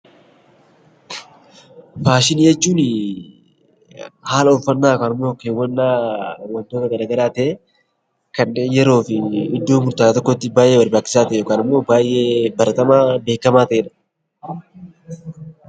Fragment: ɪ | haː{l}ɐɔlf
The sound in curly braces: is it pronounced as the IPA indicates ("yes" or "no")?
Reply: yes